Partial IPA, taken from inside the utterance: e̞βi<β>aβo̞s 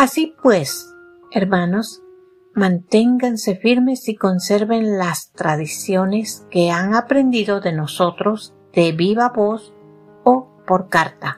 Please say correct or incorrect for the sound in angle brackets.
correct